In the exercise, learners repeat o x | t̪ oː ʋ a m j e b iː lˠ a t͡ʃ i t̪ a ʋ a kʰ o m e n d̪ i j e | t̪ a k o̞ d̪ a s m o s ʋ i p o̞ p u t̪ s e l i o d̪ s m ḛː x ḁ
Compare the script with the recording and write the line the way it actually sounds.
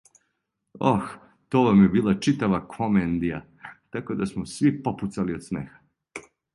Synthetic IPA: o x | t̪ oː ʋ a m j e b iː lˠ a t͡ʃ i t̪ a ʋ a kʰ o m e n d̪ i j a | t̪ a k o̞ d̪ a s m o s ʋ i p o̞ p u t̪ s a l i o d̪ s m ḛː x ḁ